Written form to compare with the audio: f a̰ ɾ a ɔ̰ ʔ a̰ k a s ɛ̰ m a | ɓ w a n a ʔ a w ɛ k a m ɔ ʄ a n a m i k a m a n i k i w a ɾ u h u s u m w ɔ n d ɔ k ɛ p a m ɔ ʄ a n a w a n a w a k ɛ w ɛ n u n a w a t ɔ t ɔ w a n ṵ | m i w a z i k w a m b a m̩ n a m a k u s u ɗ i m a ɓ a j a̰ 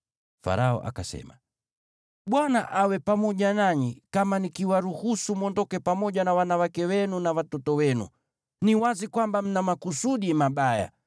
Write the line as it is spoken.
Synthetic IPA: f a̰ ɾ a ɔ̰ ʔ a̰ k a s ɛ̰ m a | ɓ w a n a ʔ a w ɛ p a m ɔ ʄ a n a ɲ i k a m a n i k i w a ɾ u h u s u m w ɔ n d ɔ k ɛ p a m ɔ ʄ a n a w a n a w a k ɛ w ɛ n u n a w a t ɔ t ɔ w ɛ n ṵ | n i w a z i k w a m b a m̩ n a m a k u s u ɗ i m a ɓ a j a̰